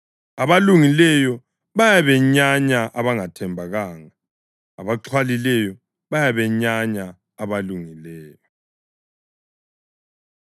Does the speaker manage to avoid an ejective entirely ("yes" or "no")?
yes